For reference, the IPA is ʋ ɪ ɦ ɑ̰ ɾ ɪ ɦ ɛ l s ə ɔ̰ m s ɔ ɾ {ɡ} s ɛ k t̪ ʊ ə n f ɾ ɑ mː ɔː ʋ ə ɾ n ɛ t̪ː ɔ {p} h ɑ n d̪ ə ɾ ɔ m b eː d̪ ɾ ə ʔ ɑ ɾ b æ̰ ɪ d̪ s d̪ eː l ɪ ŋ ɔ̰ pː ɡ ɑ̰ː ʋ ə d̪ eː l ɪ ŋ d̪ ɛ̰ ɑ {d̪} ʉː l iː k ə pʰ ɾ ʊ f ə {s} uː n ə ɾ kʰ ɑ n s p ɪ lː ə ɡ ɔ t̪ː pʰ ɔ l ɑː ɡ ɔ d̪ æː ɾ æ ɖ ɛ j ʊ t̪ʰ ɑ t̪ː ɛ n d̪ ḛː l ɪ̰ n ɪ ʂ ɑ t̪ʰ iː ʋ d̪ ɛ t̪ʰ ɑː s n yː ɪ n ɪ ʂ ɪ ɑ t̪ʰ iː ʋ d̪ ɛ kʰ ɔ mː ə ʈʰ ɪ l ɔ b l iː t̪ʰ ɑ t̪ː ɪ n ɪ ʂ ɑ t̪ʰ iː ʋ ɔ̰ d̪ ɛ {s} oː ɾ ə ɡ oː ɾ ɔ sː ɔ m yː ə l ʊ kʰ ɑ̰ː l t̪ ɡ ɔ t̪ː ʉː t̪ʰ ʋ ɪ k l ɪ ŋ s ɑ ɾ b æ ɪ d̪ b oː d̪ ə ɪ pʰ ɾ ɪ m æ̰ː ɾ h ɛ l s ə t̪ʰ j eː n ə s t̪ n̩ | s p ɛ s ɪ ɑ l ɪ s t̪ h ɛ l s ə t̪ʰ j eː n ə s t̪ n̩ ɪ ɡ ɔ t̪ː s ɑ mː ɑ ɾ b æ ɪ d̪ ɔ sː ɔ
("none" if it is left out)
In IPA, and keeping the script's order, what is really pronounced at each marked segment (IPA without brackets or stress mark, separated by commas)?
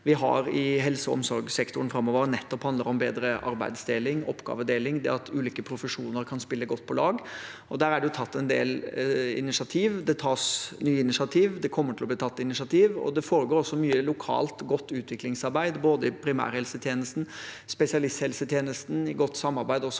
ɡ, p, t̪, ʂ, f